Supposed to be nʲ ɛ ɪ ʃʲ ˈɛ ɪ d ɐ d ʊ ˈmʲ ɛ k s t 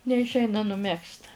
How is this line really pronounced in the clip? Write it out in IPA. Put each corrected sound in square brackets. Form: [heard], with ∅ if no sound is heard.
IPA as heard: nʲ ɛ ɪ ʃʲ ˈɛ ɪ [n] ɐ [n] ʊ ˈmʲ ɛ k s t